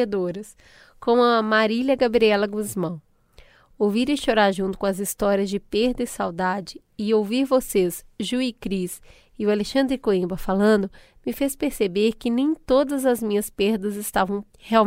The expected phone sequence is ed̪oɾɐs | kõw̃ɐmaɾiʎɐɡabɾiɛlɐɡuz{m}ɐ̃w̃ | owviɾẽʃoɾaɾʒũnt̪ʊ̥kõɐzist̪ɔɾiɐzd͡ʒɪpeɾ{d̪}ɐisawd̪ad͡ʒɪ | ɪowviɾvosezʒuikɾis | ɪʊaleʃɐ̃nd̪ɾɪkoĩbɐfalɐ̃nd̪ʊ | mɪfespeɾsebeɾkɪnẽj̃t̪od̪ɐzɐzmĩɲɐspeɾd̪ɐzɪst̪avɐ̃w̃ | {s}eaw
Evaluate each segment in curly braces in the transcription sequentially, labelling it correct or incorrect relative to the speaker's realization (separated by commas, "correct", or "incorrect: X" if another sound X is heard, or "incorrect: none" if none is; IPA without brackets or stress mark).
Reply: correct, correct, incorrect: h